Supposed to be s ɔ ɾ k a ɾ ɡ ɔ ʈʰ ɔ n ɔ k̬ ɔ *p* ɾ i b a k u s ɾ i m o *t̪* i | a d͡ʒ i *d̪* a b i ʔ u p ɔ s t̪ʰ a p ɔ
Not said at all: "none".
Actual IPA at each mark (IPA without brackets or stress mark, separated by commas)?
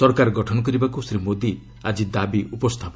none, d̪, d̪